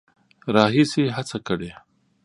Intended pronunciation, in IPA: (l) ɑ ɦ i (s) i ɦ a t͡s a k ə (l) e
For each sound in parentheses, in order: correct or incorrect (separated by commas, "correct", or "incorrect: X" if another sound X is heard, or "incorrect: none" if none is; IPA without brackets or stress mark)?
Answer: incorrect: ɾ, correct, incorrect: ɽ